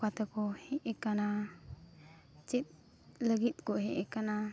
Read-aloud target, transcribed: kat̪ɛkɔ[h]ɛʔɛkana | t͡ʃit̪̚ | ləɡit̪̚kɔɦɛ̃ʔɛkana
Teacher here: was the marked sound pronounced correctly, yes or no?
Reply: yes